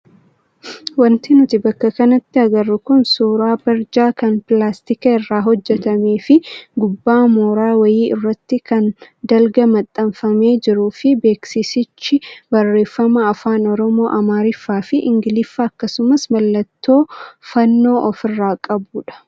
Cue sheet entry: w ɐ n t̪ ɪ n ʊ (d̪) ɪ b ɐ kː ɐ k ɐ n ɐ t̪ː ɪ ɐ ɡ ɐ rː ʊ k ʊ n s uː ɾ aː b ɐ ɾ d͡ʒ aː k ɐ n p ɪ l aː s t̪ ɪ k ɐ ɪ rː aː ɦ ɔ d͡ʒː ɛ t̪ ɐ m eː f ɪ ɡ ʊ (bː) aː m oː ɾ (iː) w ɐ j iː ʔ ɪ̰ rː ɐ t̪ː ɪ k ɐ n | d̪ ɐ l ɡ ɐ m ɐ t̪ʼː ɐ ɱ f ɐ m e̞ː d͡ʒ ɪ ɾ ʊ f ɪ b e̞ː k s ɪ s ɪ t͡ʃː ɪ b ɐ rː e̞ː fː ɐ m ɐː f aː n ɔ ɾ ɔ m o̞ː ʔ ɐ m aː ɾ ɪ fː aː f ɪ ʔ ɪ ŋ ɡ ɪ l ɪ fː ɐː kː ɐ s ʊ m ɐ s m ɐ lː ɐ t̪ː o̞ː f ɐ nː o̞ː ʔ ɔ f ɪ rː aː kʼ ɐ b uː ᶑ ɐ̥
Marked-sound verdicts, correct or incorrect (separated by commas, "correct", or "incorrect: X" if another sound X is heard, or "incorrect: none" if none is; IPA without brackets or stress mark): incorrect: t̪, correct, incorrect: aː